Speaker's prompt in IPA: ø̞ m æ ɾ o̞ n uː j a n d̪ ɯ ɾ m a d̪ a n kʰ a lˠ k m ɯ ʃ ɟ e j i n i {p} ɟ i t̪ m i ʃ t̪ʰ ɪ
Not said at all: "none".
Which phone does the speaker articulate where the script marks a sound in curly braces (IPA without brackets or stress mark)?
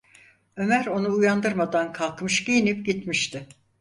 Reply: p